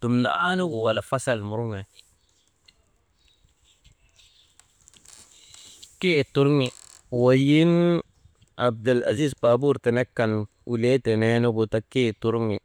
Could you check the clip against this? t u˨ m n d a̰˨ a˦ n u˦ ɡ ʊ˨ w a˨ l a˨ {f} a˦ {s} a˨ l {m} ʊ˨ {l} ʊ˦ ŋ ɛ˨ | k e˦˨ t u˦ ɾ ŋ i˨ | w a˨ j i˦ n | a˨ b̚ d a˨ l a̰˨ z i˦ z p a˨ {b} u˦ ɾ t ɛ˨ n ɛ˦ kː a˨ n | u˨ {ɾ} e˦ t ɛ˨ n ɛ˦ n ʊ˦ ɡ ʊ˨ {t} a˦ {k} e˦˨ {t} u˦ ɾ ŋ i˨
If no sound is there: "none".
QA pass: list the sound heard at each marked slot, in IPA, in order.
f, s, m, ɾ, b, l, t, k, t

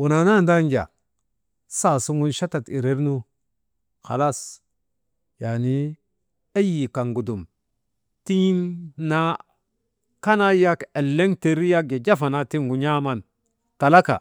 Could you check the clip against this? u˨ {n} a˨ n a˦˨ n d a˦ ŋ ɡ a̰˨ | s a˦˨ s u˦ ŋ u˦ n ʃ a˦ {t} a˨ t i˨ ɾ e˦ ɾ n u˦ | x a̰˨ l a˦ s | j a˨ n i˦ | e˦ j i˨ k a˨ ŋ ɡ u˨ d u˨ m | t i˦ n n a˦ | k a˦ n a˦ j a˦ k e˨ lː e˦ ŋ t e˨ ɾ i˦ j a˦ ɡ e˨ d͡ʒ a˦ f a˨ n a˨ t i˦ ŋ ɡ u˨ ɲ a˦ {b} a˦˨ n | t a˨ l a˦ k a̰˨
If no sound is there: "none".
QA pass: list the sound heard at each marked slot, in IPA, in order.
n, t, m

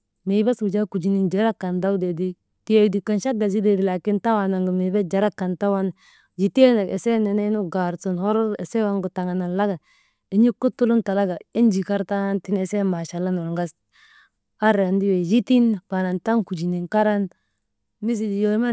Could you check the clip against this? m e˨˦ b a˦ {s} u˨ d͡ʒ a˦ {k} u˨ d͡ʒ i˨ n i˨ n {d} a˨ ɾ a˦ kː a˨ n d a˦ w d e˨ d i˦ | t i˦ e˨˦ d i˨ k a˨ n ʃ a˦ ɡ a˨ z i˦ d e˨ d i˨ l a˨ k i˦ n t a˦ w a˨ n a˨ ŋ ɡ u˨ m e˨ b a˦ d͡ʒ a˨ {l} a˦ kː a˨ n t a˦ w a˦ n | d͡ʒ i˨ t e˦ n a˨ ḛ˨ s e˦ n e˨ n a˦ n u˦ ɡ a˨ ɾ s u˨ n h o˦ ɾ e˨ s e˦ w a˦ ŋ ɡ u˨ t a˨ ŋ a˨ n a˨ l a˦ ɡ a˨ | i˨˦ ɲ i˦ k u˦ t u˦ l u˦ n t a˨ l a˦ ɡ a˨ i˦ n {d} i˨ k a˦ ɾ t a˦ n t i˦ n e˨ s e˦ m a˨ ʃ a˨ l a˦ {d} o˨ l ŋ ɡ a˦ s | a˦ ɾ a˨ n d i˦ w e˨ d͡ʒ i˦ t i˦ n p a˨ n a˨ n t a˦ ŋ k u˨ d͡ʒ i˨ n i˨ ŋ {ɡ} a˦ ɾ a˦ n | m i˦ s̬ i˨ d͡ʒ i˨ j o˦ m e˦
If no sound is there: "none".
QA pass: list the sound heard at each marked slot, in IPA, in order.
s, k, d͡ʒ, ɾ, d͡ʒ, n, k

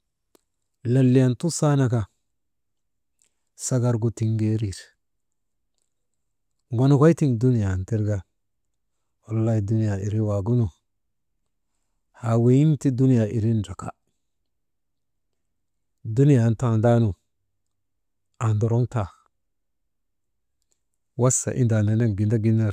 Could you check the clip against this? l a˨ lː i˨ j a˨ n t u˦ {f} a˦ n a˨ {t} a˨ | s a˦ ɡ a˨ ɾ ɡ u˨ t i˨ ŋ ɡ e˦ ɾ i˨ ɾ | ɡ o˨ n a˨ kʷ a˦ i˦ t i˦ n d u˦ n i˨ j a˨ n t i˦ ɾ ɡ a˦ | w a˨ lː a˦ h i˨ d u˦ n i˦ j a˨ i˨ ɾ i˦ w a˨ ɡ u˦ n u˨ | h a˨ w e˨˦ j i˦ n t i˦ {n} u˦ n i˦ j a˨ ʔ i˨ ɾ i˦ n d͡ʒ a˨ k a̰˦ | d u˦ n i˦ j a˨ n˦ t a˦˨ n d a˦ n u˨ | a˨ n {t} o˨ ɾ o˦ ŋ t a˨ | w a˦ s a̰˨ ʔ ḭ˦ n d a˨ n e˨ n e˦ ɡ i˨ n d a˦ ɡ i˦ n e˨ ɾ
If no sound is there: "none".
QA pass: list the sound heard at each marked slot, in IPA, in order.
s, k, d, d

